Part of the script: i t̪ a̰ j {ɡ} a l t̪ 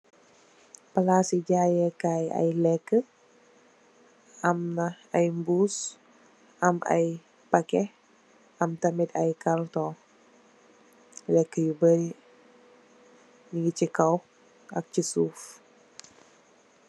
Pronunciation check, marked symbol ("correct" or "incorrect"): incorrect